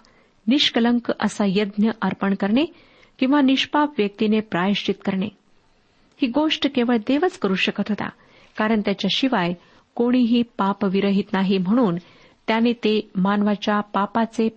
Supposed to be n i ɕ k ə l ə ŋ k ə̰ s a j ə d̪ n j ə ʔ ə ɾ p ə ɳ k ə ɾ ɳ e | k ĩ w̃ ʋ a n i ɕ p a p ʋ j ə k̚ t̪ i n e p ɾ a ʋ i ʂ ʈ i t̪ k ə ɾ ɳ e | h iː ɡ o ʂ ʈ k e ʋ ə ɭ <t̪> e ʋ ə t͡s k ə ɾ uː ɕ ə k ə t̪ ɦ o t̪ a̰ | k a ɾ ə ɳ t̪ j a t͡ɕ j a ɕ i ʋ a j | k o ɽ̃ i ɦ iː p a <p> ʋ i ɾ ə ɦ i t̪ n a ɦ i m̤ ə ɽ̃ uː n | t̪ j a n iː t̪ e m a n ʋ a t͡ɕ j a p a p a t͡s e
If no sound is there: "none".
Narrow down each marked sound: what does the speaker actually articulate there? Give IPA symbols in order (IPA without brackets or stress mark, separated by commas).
d̪, p